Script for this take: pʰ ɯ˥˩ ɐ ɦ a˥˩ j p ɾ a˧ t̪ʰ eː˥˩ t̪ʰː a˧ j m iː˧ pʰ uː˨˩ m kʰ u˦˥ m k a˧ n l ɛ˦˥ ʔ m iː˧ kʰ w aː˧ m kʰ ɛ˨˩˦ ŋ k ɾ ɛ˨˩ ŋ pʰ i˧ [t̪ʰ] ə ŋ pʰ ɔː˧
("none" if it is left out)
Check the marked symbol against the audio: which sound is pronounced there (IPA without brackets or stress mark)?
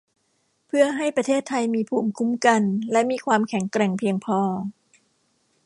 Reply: none